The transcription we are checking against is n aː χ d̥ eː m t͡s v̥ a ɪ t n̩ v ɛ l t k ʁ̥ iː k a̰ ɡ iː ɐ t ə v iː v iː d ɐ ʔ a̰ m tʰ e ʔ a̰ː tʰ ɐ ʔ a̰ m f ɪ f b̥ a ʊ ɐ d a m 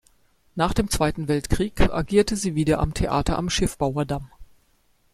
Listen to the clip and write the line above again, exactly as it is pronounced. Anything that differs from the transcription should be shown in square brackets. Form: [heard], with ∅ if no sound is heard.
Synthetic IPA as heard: n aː χ d̥ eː m t͡s v̥ a ɪ t n̩ v ɛ l t k ʁ̥ iː k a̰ ɡ iː ɐ t ə [z] iː v iː d ɐ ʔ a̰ m tʰ e ʔ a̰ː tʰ ɐ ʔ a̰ m [ʃ] ɪ f b̥ a ʊ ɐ d a m